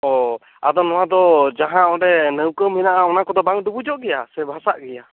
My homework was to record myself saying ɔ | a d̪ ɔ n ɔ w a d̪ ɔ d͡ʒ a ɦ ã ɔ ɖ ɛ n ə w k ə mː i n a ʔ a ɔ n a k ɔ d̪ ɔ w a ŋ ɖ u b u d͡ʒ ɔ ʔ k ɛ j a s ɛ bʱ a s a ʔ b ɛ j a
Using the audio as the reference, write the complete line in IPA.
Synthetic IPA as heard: ɔ | a d̪ ɔ n ɔ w a d̪ ɔ d͡ʒ a ɦ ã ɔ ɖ ɛ n ə w k ə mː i n a ʔ a ɔ n a k ɔ d̪ ɔ b a ŋ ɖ u b u d͡ʒ ɔ ʔ ɡ ɛ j a s ɛ bʱ a s a ʔ ɡ ɛ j a